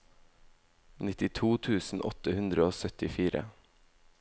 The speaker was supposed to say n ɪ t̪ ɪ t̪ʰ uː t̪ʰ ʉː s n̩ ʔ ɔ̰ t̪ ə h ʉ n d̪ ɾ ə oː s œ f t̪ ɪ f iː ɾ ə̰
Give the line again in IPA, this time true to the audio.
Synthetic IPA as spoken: n ɪ t̪ ɪ t̪ʰ uː t̪ʰ ʉː s n̩ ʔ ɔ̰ t̪ ə h ʉ n d̪ ɾ ə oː s œ t̪ ɪ f iː ɾ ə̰